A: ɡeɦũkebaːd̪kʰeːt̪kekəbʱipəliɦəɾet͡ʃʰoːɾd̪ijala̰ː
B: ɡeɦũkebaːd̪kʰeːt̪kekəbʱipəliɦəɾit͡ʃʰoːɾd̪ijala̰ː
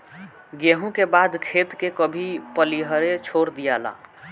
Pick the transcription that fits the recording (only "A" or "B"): A